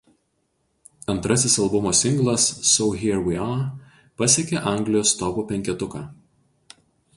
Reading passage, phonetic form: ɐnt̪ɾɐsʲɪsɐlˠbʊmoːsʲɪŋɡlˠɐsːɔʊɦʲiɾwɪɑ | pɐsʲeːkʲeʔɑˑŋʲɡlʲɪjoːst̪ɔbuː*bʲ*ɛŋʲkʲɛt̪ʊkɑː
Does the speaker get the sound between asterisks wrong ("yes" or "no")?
yes